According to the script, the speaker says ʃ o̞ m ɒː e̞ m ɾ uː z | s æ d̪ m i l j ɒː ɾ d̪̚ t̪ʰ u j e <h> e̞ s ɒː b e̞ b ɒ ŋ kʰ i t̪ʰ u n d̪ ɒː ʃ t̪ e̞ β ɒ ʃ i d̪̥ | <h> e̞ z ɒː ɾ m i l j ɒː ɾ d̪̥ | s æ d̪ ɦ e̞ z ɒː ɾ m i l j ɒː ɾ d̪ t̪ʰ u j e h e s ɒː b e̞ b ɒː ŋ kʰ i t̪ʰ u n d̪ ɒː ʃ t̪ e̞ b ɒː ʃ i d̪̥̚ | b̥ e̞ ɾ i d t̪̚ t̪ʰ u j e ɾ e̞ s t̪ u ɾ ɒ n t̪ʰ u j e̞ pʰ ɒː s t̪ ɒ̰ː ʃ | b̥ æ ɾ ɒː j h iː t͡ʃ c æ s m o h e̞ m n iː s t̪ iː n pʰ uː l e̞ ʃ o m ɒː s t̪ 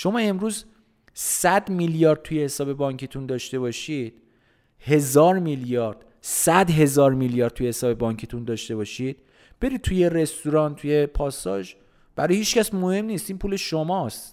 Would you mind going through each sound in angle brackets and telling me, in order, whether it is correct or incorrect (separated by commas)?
correct, correct